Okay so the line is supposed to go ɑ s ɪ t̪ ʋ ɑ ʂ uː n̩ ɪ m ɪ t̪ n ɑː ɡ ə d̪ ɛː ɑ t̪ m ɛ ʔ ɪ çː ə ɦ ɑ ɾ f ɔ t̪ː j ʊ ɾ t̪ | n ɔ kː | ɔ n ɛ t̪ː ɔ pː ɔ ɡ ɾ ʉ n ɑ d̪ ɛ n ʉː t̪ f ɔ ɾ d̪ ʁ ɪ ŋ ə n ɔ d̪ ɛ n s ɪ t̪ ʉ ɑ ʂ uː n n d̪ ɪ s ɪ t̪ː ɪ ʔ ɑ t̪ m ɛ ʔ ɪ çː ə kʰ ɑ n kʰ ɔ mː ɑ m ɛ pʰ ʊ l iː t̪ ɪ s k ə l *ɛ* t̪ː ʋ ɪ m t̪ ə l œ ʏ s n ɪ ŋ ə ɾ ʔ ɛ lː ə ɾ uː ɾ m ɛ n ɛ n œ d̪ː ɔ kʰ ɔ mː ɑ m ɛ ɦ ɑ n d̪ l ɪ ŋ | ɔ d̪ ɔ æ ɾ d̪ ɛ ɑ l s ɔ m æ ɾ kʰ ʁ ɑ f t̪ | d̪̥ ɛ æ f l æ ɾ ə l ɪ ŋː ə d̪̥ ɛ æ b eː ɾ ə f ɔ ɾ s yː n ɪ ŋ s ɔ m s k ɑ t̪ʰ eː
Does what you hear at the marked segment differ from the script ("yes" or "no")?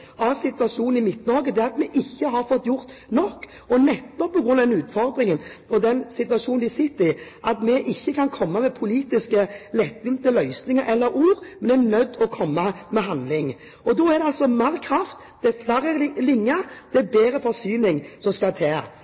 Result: no